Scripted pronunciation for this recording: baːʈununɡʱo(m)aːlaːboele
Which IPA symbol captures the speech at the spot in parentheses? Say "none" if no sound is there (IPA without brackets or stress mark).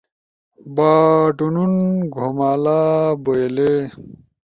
m